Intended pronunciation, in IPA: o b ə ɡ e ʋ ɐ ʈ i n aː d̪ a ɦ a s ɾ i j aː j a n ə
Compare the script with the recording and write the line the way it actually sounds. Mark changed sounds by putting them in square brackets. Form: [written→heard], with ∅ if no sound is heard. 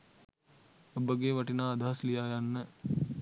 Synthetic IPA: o b ə ɡ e ʋ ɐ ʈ i n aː d̪ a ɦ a s [ɾ→l] i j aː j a [n→nː] ə